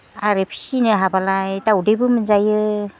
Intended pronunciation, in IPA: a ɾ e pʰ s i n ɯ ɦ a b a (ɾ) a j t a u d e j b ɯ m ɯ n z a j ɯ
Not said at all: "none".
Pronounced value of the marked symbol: l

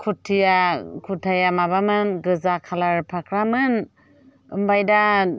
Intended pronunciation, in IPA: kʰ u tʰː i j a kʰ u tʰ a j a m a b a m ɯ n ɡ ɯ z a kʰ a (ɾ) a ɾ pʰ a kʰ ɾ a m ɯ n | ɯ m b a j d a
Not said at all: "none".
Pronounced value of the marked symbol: l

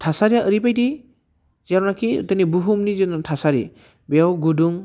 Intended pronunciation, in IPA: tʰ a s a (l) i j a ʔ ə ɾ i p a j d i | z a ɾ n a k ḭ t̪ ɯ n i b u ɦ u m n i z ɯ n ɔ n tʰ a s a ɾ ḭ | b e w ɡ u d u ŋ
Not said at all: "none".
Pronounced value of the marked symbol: ɾ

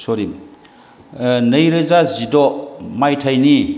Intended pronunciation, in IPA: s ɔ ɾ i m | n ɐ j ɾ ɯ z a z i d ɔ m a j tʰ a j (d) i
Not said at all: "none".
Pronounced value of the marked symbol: n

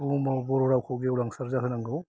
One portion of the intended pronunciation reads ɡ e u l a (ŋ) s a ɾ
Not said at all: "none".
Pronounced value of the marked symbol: ŋ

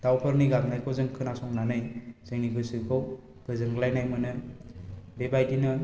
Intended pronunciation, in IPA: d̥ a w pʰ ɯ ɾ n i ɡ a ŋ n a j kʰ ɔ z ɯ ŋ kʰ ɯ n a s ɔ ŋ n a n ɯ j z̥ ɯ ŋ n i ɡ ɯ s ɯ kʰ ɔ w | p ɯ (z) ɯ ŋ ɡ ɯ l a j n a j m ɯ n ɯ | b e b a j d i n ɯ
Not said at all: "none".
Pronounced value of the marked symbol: z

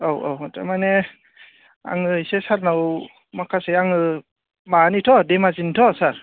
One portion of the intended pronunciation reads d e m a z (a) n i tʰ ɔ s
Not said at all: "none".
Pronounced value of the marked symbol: i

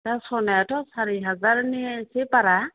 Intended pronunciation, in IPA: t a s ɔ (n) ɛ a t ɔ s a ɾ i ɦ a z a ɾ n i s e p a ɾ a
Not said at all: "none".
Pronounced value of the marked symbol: n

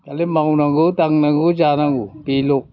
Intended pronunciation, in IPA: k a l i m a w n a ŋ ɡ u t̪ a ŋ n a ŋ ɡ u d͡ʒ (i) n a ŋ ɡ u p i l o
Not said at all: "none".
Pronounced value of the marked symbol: a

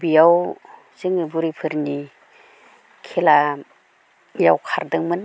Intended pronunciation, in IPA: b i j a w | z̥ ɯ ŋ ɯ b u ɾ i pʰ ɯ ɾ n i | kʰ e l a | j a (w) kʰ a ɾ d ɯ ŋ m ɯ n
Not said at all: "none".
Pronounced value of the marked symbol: w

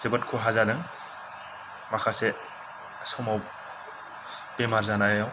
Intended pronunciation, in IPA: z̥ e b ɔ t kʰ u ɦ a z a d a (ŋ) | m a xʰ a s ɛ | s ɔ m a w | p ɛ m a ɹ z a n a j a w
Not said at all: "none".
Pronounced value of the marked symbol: ŋ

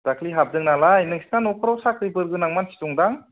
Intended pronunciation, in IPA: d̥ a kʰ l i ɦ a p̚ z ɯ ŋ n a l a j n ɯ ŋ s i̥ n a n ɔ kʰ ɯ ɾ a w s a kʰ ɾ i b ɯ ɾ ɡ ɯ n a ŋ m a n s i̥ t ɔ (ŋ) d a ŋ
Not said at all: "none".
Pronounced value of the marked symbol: ŋ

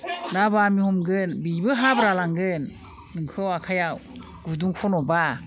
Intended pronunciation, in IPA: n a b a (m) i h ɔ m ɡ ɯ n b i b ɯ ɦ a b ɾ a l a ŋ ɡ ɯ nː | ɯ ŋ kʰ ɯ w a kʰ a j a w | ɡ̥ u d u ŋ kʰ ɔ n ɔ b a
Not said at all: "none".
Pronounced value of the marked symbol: m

